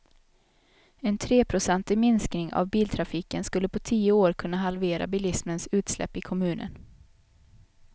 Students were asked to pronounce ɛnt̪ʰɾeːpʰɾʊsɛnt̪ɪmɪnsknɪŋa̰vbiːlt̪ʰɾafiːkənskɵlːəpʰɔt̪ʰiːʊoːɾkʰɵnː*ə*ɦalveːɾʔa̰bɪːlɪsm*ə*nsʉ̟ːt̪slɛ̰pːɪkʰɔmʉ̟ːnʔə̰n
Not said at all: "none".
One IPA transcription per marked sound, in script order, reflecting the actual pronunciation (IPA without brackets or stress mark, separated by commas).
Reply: a, ə